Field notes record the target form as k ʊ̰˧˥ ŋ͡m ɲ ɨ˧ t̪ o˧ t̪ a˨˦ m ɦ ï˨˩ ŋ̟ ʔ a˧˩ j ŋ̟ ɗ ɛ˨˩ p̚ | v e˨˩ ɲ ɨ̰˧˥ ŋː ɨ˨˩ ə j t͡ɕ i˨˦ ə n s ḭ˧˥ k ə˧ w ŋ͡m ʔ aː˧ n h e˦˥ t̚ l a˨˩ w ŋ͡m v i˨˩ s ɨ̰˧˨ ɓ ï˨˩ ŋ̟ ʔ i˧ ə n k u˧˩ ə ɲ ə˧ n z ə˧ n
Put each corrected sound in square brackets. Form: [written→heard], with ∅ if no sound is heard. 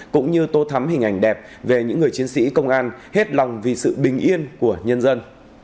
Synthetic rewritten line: k ʊ̰˧˥ ŋ͡m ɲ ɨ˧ t̪ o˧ [t̪→t̪ʰ] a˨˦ m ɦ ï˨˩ ŋ̟ ʔ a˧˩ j ŋ̟ ɗ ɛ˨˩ p̚ | v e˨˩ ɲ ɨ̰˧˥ ŋː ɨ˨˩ ə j t͡ɕ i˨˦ ə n s ḭ˧˥ k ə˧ w ŋ͡m ʔ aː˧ n h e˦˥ t̚ l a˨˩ w ŋ͡m v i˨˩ s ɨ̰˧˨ ɓ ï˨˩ ŋ̟ ʔ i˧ ə n k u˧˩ ə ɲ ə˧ n z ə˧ n